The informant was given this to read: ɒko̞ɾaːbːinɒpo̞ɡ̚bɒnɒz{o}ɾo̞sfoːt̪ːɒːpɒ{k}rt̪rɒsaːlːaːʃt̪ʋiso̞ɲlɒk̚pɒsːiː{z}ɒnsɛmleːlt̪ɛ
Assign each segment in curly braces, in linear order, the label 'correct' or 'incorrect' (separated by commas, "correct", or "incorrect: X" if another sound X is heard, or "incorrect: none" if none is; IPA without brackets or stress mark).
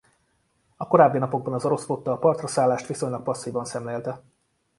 correct, incorrect: none, incorrect: v